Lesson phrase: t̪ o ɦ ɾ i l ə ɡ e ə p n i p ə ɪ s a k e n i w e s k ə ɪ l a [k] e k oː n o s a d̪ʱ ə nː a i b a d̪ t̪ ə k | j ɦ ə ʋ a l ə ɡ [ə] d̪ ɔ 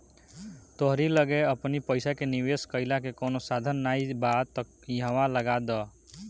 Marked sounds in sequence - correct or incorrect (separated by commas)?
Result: correct, incorrect